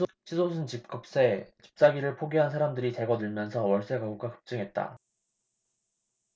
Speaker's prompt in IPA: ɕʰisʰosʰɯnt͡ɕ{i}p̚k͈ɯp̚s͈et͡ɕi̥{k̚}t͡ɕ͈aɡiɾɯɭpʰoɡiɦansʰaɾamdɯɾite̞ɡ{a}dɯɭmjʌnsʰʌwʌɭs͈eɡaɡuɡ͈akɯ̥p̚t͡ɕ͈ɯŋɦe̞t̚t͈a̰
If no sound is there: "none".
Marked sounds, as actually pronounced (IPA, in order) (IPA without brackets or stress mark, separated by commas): i, p̚, ʌ